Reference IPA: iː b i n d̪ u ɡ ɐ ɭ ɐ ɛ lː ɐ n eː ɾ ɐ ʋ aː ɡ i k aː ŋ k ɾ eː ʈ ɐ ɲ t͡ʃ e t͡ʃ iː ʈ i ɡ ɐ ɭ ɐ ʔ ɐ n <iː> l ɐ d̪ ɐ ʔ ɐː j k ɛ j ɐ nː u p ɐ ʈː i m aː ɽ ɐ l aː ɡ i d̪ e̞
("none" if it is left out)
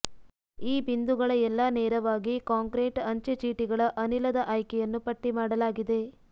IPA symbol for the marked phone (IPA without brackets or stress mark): i